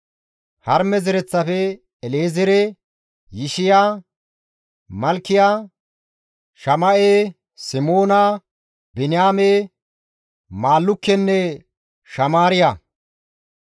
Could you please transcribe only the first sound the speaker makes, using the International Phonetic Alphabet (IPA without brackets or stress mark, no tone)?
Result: h